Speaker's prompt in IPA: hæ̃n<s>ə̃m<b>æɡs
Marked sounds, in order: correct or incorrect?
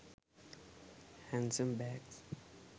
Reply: correct, correct

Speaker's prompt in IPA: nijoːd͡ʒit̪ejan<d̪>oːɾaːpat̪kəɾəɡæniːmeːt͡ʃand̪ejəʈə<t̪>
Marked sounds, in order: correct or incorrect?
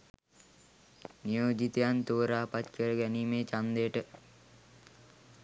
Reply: incorrect, incorrect

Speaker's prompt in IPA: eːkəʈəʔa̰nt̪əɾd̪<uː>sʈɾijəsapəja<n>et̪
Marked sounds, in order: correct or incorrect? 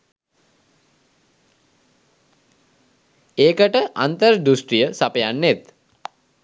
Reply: incorrect, incorrect

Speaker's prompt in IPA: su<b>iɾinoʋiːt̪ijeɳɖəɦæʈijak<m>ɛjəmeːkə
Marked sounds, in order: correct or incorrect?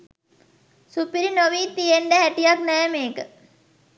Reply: incorrect, incorrect

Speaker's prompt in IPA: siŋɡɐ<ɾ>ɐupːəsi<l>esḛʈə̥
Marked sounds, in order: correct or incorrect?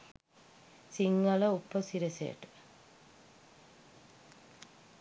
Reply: incorrect, incorrect

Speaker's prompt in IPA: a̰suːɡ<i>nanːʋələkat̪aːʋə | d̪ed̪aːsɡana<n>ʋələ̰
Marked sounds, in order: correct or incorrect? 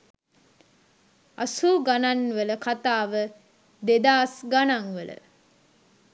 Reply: incorrect, incorrect

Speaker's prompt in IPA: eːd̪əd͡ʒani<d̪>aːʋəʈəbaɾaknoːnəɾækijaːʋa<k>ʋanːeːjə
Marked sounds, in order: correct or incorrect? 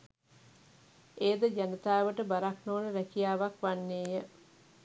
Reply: incorrect, correct

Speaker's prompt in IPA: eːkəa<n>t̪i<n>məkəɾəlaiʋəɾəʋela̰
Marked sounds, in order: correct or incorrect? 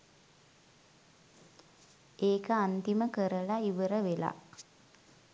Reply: correct, incorrect

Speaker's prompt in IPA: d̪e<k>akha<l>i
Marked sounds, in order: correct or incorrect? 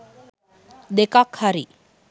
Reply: correct, incorrect

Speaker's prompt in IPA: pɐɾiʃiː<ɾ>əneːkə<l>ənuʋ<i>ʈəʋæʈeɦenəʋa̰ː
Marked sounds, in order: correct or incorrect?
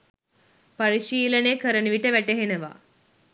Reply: incorrect, incorrect, correct

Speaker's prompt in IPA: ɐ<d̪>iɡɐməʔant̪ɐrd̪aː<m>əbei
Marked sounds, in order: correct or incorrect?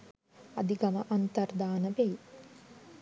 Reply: correct, incorrect

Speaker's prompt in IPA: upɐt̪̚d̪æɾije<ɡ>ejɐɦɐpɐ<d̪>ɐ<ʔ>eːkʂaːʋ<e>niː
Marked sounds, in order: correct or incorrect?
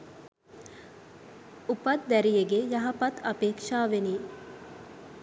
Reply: correct, incorrect, incorrect, correct

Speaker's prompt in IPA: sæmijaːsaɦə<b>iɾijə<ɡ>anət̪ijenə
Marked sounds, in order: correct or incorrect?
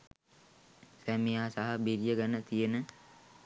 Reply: correct, correct

